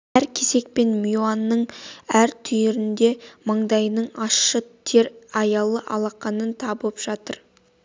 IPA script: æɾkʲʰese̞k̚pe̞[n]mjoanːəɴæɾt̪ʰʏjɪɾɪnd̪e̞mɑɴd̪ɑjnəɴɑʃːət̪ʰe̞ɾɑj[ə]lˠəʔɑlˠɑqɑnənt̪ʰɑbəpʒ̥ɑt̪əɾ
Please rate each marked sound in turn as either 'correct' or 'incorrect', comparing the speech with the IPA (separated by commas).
correct, incorrect